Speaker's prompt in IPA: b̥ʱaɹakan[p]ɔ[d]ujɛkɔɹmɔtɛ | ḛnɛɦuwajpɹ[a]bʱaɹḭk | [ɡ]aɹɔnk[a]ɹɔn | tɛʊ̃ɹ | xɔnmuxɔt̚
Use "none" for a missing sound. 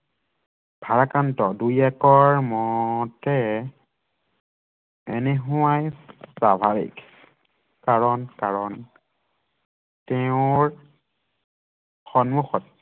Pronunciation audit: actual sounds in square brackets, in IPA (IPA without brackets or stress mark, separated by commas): t, d, a, k, a